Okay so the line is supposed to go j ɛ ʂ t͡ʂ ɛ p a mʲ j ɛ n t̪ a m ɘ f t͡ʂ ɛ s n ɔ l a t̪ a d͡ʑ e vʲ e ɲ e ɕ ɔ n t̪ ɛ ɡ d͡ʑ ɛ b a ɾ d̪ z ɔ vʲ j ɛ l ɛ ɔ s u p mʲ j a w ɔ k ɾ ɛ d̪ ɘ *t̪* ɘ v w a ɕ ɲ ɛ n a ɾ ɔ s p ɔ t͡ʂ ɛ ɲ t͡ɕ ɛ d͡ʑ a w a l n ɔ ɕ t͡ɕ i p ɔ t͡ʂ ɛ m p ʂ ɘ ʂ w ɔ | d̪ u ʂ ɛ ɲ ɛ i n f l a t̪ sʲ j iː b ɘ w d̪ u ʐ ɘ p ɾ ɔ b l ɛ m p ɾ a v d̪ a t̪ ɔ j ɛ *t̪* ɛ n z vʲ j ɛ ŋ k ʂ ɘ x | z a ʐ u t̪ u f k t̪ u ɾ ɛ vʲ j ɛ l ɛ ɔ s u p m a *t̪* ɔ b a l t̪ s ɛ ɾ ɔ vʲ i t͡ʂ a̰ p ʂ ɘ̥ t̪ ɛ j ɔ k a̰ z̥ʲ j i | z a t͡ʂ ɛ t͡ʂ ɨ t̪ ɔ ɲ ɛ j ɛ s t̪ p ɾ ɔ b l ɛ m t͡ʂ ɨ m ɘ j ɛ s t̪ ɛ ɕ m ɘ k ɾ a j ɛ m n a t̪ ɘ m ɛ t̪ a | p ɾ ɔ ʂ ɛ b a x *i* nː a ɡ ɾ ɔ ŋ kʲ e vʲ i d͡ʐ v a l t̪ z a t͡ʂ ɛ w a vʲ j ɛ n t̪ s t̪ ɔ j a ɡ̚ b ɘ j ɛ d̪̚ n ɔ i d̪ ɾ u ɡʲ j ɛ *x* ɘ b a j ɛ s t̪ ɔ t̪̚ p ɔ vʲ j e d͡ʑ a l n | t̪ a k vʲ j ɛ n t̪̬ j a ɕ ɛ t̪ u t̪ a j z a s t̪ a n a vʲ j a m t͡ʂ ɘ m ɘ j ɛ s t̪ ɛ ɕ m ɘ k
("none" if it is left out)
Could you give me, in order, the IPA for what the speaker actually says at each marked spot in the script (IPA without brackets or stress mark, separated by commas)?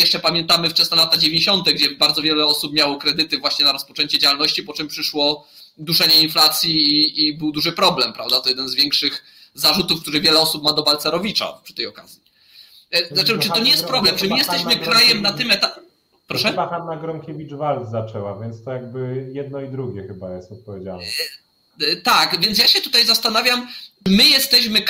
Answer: t̪, d̪, d̪, a, x